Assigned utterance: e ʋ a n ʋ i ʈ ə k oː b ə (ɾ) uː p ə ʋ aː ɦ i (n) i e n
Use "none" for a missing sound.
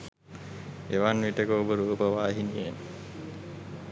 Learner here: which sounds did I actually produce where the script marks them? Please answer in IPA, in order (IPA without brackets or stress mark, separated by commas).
ɾ, n